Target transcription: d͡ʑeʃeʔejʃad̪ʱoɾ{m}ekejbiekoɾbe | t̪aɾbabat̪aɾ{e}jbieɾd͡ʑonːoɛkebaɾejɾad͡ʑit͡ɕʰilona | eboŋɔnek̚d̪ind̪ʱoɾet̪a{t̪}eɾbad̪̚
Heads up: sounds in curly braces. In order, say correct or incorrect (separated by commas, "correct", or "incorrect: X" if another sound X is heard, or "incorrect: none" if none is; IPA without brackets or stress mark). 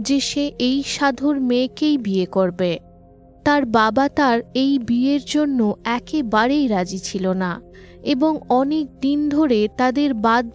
correct, correct, incorrect: d̪